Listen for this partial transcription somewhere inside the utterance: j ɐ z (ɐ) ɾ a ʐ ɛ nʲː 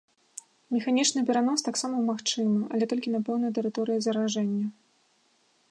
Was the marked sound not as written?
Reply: no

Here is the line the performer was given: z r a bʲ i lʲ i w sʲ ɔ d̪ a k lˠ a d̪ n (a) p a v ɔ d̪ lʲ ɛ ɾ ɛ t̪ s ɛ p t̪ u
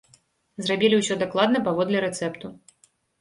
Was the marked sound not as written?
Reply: yes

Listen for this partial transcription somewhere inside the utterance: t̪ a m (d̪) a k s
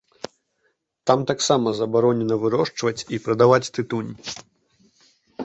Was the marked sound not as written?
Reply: yes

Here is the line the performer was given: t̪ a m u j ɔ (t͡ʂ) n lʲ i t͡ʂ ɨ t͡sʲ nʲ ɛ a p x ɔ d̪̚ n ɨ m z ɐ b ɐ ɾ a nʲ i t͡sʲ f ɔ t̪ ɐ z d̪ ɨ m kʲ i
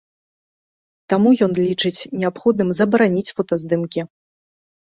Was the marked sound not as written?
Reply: yes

